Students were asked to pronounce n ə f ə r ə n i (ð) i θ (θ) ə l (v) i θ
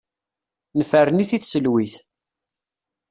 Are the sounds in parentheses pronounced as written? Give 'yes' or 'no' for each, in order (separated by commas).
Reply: no, no, no